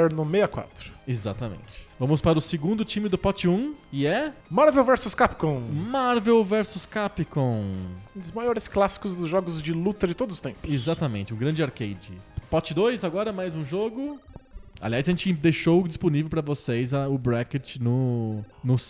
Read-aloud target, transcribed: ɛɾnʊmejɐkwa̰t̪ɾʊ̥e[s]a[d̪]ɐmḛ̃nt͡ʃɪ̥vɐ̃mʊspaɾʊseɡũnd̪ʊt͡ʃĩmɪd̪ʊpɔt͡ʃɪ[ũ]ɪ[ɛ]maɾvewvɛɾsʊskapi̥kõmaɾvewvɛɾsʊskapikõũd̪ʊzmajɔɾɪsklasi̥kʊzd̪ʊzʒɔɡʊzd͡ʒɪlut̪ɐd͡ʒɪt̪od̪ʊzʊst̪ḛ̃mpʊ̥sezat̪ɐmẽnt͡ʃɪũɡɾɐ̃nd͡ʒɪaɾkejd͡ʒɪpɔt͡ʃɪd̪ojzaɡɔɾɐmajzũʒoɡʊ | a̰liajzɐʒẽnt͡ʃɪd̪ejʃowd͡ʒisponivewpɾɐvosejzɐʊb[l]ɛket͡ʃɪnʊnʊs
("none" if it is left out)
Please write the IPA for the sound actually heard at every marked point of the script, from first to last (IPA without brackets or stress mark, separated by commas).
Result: z, t̪, ũ, ɛ, ɾ